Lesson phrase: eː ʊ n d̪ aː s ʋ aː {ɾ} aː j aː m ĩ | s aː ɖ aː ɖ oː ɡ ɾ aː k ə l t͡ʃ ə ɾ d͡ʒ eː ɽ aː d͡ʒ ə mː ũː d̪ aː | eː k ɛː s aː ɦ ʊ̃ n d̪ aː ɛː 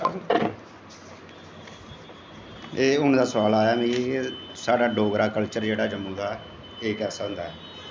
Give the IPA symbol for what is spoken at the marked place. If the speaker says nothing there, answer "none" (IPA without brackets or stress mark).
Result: l